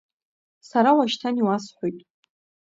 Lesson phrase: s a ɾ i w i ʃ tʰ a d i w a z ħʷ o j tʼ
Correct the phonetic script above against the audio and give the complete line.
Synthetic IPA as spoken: s a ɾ a w a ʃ tʰ a n i w a s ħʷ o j tʼ